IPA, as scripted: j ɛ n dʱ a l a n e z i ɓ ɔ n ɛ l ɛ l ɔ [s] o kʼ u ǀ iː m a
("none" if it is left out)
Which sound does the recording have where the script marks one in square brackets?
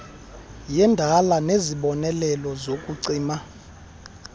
z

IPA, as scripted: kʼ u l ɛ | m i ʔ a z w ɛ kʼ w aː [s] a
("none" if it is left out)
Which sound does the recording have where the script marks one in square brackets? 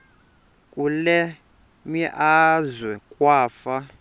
f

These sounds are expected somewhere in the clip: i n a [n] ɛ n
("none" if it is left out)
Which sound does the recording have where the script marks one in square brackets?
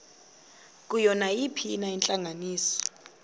none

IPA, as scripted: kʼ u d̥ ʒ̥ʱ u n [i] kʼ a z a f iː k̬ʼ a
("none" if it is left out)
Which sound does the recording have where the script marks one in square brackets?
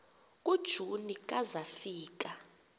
i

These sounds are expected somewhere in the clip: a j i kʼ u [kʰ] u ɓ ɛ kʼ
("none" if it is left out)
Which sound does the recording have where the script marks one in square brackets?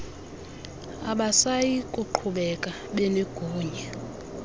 ǃʰ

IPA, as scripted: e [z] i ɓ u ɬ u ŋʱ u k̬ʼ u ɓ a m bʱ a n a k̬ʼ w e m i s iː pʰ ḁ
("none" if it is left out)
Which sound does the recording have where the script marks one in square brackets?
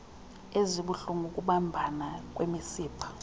z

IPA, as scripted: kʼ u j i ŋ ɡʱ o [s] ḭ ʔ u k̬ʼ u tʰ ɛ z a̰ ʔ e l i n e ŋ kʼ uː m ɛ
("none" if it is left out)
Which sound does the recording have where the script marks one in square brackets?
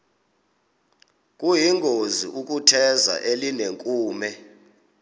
z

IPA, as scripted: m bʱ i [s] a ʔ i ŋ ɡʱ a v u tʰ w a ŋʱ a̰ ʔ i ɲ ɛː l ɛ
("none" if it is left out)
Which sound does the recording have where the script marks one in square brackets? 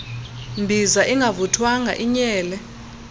z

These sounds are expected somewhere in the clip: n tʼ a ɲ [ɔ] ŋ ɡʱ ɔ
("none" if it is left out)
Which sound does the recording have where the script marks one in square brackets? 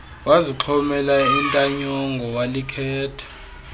ɔ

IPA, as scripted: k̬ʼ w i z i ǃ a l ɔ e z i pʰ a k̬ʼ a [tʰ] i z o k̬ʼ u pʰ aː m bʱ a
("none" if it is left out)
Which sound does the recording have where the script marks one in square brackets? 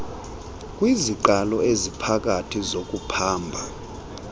tʰ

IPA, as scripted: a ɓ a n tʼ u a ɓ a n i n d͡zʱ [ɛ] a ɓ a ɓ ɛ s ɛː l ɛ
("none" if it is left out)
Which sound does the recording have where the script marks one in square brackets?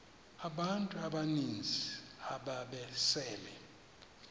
i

